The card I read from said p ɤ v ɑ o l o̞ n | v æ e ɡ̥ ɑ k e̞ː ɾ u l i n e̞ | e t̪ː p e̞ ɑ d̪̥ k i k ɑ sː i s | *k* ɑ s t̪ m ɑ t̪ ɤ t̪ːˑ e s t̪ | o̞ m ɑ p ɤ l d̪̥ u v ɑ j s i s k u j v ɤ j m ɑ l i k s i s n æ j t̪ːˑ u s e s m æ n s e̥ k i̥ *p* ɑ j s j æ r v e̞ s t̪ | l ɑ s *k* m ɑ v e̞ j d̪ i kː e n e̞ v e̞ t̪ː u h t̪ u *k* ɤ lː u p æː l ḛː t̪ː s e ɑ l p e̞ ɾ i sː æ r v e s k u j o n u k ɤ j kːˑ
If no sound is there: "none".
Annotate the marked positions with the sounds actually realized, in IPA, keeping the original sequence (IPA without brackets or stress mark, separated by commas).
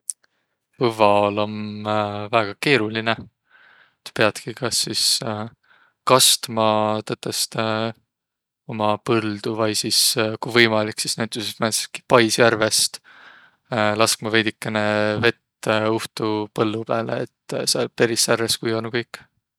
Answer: k, p, k, p